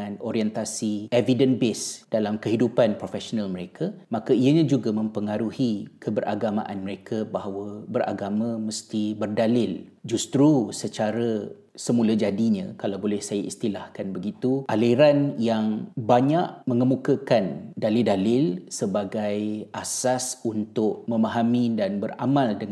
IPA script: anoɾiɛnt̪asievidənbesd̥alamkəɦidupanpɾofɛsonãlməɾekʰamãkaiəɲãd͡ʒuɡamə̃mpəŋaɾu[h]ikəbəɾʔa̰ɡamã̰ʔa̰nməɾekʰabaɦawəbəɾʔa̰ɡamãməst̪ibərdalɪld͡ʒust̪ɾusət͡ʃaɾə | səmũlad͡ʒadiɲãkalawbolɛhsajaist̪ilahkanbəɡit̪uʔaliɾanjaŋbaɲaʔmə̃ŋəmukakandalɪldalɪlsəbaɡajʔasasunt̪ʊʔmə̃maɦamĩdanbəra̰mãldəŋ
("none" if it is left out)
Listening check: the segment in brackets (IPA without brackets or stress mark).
h